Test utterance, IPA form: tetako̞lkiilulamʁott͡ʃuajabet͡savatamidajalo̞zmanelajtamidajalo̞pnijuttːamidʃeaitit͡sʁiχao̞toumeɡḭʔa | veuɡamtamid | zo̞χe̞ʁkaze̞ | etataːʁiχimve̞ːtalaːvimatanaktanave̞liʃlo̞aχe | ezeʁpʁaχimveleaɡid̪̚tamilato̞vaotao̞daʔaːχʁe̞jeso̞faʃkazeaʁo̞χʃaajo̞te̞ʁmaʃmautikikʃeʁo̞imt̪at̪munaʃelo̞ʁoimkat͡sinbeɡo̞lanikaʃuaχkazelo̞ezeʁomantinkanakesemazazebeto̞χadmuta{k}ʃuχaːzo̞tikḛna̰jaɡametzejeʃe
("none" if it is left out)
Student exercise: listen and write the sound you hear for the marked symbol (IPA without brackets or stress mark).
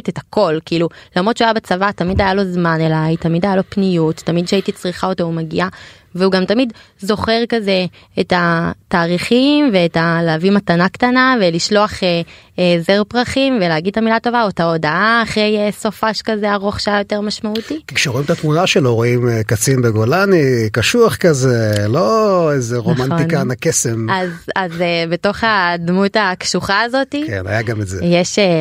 k